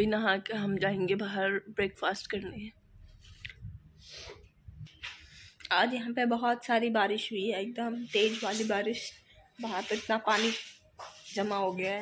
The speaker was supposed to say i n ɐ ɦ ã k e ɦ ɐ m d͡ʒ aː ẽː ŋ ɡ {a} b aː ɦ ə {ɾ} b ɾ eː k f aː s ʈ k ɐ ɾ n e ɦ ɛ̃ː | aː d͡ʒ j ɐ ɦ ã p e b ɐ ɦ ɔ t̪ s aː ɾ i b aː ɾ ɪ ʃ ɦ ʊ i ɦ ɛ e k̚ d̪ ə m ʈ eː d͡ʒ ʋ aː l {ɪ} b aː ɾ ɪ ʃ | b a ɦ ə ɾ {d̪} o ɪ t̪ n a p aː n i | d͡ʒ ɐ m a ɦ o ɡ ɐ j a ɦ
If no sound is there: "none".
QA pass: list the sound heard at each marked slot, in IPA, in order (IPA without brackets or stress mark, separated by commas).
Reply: e, ɾ, i, t̪